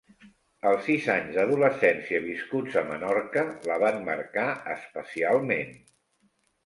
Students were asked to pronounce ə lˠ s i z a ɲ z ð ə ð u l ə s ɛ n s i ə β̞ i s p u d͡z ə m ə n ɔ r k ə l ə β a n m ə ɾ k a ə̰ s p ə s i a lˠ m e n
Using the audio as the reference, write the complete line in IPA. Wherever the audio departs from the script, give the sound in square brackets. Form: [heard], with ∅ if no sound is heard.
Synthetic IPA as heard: ə lˠ s i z a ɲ z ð ə ð u l ə s ɛ n s i ə β̞ i s [k] u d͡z ə m ə n ɔ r k ə l ə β a n m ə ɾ k a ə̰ s p ə s i a lˠ m e n